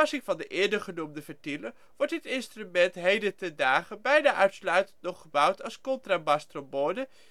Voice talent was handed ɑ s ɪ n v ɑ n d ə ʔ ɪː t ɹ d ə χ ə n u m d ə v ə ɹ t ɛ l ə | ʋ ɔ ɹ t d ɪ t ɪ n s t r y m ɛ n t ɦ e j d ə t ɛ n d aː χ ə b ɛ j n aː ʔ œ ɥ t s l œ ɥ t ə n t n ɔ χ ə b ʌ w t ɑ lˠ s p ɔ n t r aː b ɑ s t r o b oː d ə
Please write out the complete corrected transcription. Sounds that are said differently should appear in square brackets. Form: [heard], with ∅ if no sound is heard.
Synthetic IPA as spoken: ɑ s ɪ [ŋ] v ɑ n d ə ʔ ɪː [∅] ɹ d ə χ ə n u m d ə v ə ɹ t [i] l ə | ʋ ɔ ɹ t d ɪ t ɪ n s t r y m ɛ n t ɦ e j d ə t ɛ n d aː χ ə b ɛ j n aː ʔ œ ɥ t s l œ ɥ t ə n t n ɔ χ ə b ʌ w t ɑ lˠ s [k] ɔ n t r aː b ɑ s t r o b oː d ə